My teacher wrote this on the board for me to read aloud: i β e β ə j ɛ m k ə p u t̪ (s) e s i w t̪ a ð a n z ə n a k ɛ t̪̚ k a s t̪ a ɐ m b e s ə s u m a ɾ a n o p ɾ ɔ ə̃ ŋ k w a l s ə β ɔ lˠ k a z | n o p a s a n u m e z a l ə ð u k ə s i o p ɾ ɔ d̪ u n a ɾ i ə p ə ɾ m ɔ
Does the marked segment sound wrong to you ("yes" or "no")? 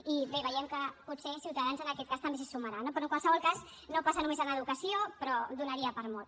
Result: no